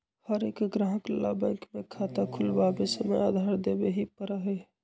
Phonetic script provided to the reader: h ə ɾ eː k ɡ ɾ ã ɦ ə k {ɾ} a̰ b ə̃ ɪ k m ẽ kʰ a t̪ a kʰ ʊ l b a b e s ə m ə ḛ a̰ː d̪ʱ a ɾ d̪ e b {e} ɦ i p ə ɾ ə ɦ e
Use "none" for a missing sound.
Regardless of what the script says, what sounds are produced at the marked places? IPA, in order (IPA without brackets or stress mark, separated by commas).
l, e